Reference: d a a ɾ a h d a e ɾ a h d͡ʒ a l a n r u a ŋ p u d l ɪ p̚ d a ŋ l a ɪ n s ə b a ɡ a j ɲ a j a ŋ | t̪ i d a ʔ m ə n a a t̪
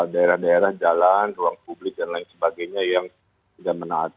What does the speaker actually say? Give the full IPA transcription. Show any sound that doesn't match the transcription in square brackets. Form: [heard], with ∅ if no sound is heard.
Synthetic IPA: d a [e] ɾ a h d a e ɾ a h d͡ʒ a l a n r u a ŋ p u [b] l ɪ [k̚] d a [n] l a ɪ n s ə b a ɡ a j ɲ a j a ŋ | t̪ i d a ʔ m ə n a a t̪